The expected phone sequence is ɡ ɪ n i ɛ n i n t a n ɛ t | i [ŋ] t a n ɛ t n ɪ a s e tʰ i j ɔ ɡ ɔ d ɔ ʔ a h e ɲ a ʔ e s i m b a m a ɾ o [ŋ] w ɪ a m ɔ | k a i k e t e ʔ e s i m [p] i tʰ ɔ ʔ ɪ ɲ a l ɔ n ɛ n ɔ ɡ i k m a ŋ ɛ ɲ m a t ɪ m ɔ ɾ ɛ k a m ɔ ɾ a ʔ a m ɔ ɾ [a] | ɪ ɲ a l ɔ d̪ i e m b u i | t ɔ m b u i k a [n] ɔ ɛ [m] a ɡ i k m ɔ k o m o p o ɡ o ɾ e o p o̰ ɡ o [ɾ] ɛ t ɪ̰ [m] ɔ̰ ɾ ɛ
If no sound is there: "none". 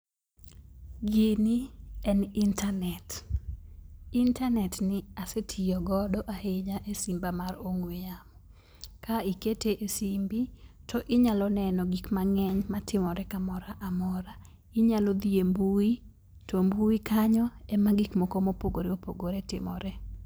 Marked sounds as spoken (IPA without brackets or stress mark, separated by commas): n, ŋ, b, a, ɲ, m, ɾ, m